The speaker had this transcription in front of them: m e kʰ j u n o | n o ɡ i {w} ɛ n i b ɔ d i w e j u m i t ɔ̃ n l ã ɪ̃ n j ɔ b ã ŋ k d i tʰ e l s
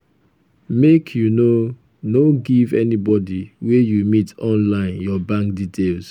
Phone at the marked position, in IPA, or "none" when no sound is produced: v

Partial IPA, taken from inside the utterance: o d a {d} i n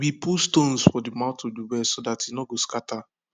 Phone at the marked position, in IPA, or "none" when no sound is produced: t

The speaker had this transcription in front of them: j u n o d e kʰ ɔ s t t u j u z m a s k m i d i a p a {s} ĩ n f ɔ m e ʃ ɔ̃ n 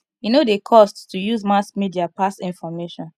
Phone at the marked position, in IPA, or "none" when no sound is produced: s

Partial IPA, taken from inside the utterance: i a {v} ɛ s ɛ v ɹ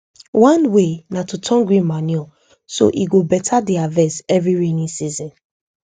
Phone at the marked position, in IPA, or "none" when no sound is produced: v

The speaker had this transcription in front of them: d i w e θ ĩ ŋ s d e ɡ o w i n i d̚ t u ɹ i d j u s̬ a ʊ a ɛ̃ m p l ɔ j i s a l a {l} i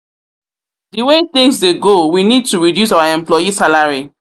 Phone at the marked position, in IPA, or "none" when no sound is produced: ɹ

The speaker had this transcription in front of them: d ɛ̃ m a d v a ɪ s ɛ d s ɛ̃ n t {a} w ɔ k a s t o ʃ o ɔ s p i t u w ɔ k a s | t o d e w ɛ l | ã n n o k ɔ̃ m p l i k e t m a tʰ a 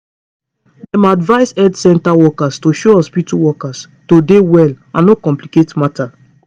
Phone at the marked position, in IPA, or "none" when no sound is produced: a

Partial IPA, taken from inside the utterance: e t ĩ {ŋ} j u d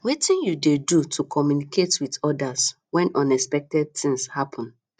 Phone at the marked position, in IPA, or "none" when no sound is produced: n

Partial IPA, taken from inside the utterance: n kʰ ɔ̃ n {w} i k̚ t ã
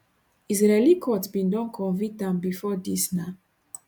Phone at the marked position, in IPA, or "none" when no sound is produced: v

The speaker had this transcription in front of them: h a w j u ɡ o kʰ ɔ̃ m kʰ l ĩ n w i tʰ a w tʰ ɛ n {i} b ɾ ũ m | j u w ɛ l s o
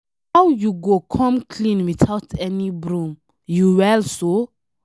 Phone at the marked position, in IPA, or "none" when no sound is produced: i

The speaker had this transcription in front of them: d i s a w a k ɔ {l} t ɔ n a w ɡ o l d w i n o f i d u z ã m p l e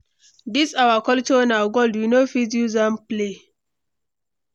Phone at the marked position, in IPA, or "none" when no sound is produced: l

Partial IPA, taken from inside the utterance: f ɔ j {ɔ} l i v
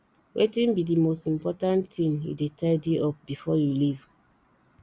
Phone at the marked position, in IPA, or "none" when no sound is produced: u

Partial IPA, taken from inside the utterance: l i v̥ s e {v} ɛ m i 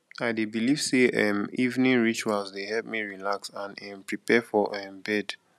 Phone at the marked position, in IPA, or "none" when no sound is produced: none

